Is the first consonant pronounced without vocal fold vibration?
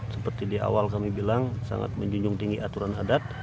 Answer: yes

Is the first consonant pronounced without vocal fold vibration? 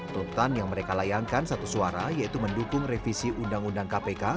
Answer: yes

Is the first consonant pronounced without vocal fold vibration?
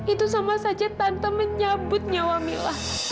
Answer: yes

